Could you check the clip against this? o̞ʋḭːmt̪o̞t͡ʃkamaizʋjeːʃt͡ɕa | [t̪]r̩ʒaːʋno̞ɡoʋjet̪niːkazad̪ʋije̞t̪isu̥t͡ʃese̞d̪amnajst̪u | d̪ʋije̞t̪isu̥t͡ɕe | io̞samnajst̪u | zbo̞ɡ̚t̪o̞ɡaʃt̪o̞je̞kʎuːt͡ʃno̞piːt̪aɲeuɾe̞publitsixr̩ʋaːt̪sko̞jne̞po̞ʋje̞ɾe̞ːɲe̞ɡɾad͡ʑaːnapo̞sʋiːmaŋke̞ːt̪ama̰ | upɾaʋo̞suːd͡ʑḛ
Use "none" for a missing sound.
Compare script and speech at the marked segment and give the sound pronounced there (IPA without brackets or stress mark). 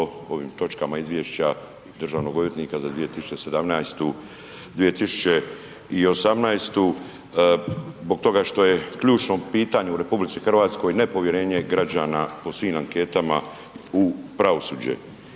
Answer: d̪